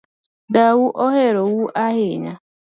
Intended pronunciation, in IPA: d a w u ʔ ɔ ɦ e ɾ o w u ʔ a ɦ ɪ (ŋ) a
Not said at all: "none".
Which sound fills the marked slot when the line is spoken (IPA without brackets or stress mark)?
ɲ